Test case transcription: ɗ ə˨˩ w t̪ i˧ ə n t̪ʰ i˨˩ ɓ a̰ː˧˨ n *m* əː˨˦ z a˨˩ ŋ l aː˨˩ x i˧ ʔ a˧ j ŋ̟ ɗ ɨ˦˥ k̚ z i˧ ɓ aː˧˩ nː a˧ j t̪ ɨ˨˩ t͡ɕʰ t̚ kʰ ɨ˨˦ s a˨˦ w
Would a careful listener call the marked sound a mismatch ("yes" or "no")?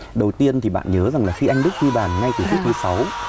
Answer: yes